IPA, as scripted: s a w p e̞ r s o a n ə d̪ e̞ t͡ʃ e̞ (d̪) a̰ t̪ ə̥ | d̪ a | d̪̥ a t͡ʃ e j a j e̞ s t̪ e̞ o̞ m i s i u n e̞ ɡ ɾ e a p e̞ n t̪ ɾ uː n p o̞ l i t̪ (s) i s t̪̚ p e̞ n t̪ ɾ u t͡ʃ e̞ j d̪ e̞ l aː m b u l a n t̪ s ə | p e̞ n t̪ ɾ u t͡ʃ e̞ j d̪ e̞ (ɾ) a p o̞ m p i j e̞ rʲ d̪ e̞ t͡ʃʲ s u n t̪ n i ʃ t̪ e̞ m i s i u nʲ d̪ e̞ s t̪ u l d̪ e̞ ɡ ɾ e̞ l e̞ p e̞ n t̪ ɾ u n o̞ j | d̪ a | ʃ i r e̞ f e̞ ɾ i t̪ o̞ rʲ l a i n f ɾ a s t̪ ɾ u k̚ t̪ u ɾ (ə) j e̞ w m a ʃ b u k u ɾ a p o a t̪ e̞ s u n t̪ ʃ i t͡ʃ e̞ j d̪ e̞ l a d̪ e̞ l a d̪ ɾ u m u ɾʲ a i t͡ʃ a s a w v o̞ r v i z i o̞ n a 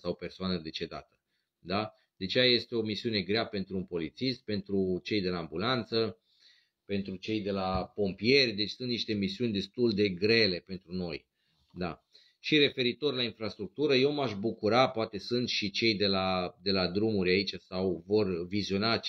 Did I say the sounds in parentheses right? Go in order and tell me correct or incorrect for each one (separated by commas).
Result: correct, correct, incorrect, correct